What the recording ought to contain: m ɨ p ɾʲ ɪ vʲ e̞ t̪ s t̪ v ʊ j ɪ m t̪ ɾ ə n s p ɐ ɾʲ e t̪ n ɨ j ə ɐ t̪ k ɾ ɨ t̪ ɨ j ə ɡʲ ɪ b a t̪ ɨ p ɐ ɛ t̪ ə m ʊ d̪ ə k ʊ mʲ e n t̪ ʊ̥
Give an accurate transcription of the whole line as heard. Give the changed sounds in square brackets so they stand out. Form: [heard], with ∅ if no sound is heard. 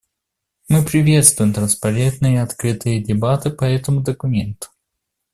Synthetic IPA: m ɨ p ɾʲ ɪ vʲ e̞ t̪ s t̪ v ʊ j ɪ m t̪ ɾ ə n s p ɐ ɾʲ e t̪ n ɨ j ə ɐ t̪ k ɾ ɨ t̪ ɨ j ə [dʲ] ɪ b a t̪ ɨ p ɐ ɛ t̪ ə m ʊ d̪ ə k ʊ mʲ e n t̪ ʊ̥